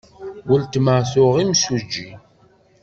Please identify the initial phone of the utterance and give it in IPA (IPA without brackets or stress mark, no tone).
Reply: w